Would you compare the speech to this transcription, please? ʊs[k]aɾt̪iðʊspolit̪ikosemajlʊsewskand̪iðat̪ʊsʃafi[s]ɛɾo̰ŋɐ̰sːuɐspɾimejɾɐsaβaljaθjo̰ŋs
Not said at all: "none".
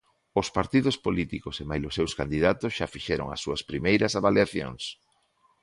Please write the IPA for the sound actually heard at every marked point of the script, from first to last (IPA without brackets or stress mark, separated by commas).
p, ʃ